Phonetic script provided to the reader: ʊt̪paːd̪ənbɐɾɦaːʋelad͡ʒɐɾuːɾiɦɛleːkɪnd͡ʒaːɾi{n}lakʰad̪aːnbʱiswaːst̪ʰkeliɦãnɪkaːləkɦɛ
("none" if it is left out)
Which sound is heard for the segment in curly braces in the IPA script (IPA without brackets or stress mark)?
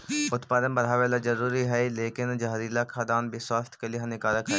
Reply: none